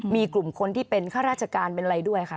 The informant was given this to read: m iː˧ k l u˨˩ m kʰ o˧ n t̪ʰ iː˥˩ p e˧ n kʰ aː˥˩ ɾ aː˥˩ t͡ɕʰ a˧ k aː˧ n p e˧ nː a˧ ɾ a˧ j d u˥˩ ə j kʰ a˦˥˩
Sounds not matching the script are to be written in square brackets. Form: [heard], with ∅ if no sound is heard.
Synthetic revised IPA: m iː˧ k l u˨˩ m kʰ o˧ n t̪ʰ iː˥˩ p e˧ n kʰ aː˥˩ ɾ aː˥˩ t͡ɕʰ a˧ k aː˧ n p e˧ [n] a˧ ɾ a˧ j d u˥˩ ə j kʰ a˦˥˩